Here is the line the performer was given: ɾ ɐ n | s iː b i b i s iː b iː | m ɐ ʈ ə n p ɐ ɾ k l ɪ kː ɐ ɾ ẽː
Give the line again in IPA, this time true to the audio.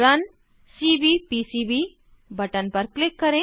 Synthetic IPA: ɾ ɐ n | s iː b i p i s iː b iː | b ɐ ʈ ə n p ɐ ɾ k l ɪ kː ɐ ɾ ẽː